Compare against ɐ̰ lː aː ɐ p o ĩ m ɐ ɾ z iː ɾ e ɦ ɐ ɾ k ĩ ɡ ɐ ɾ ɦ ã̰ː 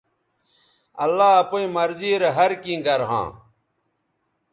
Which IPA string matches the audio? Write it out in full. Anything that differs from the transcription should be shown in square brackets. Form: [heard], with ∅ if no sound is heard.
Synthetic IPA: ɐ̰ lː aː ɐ p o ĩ m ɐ ɾ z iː ɾ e ɦ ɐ ɾ k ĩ ɡ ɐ ɾ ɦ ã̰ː